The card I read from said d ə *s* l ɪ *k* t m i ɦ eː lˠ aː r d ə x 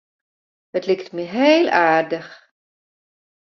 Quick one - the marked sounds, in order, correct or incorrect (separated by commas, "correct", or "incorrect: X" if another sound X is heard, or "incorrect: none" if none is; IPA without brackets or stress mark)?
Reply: incorrect: t, correct